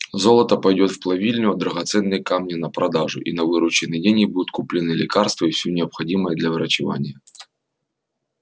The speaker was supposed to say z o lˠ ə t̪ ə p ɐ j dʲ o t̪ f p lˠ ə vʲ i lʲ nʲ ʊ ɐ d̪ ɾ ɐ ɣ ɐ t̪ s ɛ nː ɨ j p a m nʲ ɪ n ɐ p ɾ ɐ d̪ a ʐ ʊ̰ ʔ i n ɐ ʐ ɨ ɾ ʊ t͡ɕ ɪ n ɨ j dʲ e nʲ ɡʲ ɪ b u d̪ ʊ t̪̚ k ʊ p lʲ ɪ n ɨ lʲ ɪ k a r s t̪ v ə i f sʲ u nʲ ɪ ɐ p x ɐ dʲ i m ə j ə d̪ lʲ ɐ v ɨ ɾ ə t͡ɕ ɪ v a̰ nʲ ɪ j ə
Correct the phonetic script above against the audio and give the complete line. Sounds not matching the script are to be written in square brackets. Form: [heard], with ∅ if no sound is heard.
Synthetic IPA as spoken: z o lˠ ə t̪ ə p ɐ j dʲ o t̪ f p lˠ [ɐ] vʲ i lʲ nʲ ʊ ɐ d̪ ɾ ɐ ɣ ɐ t̪ s ɛ nː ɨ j [k] a m nʲ ɪ n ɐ p ɾ ɐ d̪ a ʐ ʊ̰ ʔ i n ɐ [v] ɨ ɾ ʊ t͡ɕ ɪ n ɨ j dʲ e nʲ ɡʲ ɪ b u d̪ ʊ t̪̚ k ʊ p lʲ ɪ n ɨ lʲ ɪ k a r s t̪ v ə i f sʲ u nʲ ɪ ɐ p x ɐ dʲ i m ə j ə d̪ lʲ ɐ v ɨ ɾ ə t͡ɕ ɪ v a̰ nʲ ɪ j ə